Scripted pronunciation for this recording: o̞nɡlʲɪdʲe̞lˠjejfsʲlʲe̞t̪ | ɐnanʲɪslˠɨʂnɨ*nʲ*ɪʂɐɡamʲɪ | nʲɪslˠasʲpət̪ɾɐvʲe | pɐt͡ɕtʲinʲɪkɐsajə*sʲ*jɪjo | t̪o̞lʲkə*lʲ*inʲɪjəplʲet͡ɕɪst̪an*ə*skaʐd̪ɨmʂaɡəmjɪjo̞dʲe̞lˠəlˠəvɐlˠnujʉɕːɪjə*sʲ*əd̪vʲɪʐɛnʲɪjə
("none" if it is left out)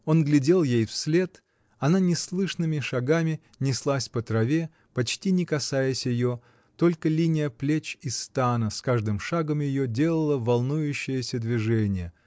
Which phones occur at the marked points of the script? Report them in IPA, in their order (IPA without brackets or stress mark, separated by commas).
mʲ, sʲ, lʲ, ə, sʲ